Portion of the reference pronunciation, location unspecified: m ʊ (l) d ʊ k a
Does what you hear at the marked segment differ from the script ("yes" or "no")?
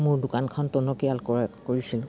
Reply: yes